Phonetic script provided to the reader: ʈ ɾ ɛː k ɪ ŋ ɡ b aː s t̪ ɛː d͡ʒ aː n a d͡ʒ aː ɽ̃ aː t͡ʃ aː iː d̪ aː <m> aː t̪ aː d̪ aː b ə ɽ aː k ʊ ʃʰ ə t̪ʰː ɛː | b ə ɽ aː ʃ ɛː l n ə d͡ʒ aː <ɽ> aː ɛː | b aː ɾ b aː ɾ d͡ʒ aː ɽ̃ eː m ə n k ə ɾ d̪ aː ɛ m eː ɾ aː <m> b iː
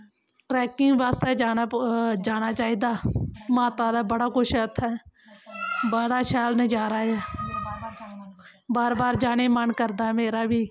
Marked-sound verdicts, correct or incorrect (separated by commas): correct, incorrect, incorrect